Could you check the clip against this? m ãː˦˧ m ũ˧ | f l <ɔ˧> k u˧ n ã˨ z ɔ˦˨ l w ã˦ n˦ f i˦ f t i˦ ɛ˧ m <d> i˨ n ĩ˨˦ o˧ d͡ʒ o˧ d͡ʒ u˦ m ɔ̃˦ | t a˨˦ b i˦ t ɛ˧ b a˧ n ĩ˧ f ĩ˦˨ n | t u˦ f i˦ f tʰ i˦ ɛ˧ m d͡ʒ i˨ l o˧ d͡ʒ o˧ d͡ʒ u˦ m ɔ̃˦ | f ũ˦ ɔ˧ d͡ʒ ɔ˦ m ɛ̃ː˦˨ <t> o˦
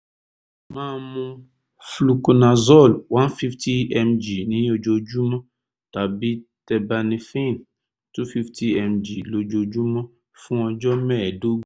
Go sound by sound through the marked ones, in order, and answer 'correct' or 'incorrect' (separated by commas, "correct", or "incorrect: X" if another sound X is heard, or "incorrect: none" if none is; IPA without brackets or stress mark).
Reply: incorrect: u˧, incorrect: d͡ʒ, incorrect: d